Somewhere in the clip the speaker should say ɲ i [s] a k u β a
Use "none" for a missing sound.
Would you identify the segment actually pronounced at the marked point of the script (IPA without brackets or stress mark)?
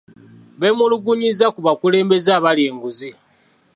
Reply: z